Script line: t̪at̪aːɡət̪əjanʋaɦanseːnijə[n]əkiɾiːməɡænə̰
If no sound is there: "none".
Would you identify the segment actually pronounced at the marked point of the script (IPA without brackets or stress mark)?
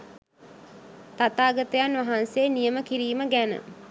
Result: m